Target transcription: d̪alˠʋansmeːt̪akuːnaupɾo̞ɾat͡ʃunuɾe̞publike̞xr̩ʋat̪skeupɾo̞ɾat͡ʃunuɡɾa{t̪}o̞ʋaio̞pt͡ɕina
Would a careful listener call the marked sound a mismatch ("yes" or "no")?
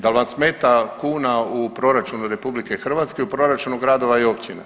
yes